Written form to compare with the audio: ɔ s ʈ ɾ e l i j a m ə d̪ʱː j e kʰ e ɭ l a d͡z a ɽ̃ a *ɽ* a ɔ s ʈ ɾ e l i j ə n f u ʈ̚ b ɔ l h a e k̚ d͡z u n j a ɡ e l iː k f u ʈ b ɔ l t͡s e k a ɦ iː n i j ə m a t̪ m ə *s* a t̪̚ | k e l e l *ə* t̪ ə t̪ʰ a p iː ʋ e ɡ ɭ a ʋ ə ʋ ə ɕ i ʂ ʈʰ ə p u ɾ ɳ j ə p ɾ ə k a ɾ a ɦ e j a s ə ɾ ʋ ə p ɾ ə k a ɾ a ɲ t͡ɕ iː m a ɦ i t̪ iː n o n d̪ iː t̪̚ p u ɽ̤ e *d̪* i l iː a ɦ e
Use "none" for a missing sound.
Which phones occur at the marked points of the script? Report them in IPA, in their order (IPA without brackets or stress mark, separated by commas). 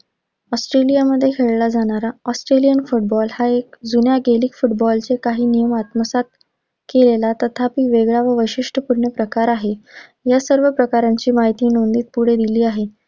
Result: ɾ, s, a, d̪